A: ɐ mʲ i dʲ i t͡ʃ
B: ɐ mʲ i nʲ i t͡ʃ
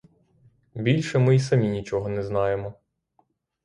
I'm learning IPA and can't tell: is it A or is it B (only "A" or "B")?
B